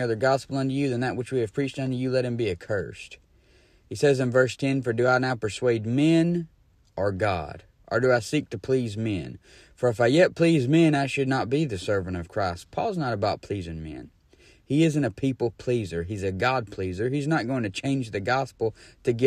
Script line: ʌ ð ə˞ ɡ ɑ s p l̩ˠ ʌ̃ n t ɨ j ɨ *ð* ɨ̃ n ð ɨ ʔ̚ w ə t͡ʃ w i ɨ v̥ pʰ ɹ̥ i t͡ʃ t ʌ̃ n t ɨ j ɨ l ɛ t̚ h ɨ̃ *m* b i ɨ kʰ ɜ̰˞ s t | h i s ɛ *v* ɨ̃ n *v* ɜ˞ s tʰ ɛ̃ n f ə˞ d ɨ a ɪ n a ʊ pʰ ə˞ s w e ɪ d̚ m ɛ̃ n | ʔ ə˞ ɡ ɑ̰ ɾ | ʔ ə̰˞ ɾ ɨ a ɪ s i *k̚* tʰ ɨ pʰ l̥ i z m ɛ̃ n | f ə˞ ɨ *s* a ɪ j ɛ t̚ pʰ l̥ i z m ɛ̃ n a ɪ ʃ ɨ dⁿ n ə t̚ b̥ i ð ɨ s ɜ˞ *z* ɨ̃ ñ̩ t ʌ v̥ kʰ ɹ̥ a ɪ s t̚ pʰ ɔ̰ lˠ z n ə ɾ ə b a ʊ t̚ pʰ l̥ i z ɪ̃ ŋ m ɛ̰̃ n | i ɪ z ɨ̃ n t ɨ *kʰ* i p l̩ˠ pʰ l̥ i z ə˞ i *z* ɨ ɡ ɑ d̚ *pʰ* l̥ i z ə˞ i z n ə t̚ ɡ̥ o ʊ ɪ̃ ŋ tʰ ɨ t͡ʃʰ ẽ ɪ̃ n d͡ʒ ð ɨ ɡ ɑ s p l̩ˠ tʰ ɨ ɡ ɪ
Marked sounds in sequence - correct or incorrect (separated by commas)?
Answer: correct, correct, incorrect, correct, correct, incorrect, incorrect, incorrect, correct, correct